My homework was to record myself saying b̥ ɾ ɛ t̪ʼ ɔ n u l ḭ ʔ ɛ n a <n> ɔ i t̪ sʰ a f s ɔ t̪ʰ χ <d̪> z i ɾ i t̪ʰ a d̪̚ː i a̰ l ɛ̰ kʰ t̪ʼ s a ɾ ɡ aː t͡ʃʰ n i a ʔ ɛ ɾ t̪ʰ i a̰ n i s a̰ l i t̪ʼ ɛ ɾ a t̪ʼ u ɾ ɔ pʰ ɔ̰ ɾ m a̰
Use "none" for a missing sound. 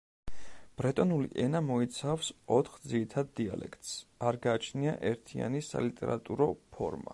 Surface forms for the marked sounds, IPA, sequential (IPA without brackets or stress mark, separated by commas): m, d̪